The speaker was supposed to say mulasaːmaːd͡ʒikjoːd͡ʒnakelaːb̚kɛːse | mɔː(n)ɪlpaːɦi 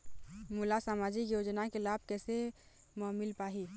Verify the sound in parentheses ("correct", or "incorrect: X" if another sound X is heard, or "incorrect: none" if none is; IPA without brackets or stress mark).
incorrect: m